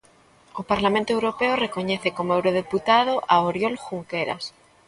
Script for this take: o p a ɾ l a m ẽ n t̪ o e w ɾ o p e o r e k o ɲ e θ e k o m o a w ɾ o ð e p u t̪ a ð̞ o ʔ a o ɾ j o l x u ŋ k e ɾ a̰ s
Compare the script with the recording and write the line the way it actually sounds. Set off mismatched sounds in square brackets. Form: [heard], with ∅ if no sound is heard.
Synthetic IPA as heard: o p a ɾ l a m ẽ n t̪ o e w ɾ o p e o r e k o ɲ e θ e k o m o [e] w ɾ o ð e p u t̪ a ð̞ o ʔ a o ɾ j o l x u ŋ k e ɾ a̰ s